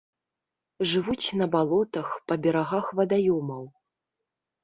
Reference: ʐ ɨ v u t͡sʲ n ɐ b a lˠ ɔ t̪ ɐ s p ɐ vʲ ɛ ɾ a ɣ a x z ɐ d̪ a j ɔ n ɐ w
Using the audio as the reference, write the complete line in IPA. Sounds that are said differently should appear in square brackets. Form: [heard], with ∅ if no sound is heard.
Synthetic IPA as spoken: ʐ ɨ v u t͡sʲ n ɐ b a lˠ ɔ t̪ ɐ [x] p ɐ [bʲ] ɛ ɾ a ɣ a x [v] ɐ d̪ a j ɔ [m] ɐ w